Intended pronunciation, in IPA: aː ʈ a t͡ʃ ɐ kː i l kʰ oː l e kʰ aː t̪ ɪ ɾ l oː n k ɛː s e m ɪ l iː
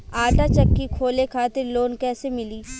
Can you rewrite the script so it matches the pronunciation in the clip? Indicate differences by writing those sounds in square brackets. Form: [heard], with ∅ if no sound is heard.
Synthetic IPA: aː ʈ a t͡ʃ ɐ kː i [∅] kʰ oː l e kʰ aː t̪ ɪ ɾ l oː n k ɛː s e m ɪ l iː